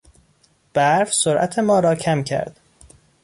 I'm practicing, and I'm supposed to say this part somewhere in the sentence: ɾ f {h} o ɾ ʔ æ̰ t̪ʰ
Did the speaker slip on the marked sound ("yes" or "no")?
yes